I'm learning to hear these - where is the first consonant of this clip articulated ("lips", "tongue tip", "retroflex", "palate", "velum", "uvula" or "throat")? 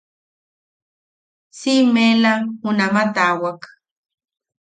tongue tip